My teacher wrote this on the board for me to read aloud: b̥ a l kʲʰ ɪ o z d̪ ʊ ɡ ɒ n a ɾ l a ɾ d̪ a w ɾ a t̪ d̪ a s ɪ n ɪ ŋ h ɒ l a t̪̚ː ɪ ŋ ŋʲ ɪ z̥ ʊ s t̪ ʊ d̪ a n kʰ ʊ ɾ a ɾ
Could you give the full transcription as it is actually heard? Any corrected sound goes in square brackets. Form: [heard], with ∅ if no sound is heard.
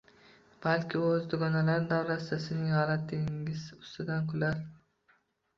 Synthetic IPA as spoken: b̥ a l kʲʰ ɪ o z d̪ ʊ ɡ ɒ n a [∅] l a ɾ d̪ a w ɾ a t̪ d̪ a s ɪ n ɪ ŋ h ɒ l a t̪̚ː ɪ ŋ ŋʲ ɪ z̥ ʊ s t̪ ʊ d̪ a n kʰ ʊ [l] a ɾ